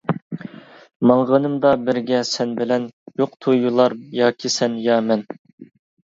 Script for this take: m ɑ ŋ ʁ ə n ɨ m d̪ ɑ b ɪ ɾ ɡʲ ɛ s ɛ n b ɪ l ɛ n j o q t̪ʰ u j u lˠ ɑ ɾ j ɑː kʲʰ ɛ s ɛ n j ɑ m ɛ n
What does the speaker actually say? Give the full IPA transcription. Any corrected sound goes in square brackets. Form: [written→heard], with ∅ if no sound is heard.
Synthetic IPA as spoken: m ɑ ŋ ʁ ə n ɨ m d̪ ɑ b ɪ ɾ ɡʲ ɛ s ɛ n b ɪ l ɛ n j o q t̪ʰ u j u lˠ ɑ ɾ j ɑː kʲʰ [ɛ→i] s ɛ n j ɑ m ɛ n